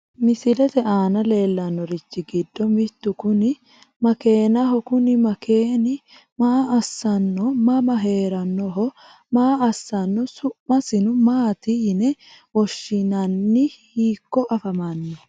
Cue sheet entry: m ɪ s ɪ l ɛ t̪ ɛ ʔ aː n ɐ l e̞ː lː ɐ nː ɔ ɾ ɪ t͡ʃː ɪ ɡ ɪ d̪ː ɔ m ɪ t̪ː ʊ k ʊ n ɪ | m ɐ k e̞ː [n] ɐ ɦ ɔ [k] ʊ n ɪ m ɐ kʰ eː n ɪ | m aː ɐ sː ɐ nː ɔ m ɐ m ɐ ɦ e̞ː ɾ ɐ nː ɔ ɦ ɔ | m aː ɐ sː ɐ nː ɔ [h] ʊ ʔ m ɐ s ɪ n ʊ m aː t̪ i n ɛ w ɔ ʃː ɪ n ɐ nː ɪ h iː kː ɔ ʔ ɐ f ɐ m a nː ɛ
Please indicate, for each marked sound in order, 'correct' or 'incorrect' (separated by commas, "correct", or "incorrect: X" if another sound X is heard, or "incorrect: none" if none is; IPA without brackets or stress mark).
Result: correct, correct, incorrect: s